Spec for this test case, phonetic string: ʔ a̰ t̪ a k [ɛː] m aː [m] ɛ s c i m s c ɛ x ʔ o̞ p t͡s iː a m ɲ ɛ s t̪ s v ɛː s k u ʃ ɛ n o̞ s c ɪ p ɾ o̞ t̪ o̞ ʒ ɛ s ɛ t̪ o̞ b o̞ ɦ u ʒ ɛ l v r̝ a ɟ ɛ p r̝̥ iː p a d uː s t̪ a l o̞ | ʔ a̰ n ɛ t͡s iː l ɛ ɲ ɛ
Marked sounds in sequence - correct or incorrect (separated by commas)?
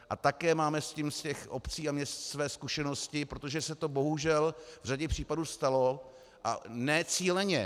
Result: correct, correct